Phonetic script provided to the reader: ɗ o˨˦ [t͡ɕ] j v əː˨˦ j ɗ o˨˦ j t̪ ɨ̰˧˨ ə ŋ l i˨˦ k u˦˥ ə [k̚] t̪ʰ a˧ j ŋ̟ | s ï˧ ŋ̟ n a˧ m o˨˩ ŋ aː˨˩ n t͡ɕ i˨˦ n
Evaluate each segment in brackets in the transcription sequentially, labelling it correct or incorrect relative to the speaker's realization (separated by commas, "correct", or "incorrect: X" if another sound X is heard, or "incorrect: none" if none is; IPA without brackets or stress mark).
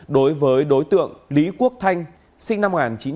incorrect: none, correct